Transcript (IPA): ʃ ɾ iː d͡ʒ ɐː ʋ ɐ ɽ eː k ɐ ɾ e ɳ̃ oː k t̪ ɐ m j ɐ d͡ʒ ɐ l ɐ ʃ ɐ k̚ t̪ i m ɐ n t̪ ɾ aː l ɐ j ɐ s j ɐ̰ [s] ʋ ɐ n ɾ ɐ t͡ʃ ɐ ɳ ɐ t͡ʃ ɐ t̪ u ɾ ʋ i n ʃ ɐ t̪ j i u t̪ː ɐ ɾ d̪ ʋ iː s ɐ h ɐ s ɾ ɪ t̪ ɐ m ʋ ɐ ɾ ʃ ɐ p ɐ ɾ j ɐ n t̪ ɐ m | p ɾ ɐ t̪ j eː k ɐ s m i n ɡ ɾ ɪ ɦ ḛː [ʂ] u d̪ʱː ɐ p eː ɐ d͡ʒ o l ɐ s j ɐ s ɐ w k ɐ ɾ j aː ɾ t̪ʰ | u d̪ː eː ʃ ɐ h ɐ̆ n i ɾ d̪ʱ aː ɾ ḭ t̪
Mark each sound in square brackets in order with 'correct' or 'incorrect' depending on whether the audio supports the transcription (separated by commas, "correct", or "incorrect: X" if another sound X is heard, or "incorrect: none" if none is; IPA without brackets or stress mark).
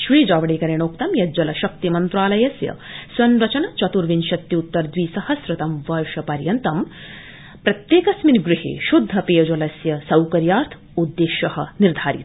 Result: correct, incorrect: ʃ